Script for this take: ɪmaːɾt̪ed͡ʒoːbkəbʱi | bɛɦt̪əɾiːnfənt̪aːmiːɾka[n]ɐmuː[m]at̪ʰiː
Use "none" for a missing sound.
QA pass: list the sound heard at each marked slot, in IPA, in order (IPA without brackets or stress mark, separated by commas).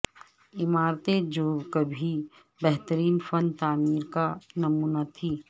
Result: n, n